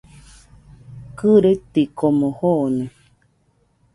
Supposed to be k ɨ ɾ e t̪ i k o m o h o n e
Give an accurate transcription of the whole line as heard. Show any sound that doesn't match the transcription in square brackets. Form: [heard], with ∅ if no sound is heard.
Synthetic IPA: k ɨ ɾ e t̪ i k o m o h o n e